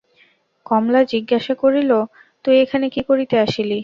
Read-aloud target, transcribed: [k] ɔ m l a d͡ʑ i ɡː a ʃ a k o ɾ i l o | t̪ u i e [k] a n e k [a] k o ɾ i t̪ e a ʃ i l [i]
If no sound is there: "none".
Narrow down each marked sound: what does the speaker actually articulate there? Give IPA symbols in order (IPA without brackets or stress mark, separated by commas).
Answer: k, kʰ, i, i